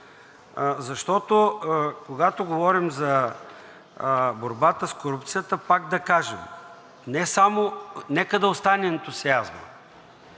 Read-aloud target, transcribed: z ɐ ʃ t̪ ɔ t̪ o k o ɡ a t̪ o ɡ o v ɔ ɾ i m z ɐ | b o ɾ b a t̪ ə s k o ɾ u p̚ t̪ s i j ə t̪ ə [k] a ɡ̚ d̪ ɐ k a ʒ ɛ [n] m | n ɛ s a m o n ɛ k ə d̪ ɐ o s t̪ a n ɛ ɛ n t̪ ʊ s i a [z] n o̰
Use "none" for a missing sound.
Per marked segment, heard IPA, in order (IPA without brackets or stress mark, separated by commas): p, none, z